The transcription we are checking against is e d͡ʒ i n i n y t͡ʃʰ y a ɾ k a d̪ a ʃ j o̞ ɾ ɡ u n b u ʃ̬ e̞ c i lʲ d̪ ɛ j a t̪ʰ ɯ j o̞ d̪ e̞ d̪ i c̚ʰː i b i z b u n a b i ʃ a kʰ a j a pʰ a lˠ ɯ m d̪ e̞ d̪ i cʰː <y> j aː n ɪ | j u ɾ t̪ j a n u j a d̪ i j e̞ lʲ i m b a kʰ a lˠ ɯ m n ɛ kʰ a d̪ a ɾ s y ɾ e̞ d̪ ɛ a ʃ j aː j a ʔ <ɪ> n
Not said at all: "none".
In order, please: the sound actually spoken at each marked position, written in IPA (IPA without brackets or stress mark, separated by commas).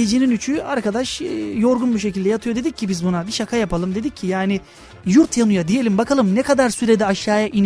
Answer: i, i